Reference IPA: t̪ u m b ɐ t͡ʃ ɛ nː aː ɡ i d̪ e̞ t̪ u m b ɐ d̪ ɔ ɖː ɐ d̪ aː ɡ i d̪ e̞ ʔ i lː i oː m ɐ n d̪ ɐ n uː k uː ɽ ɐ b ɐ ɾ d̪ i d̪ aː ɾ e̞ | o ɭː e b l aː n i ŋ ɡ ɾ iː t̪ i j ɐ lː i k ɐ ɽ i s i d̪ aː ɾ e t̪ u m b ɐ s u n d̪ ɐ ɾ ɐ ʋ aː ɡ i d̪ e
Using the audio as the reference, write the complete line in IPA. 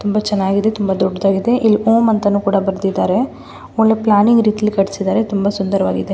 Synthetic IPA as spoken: t̪ u m b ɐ t͡ʃ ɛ nː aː ɡ i d̪ e̞ t̪ u m b ɐ d̪ ɔ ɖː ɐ d̪ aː ɡ i d̪ e̞ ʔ i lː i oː m ɐ n t̪ ɐ n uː k uː ɽ ɐ b ɐ ɾ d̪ i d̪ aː ɾ e̞ | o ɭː e p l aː n i ŋ ɡ ɾ iː t̪ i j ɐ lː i k ɐ ɽ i s i d̪ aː ɾ e t̪ u m b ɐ s u n d̪ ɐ ɾ ɐ ʋ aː ɡ i d̪ e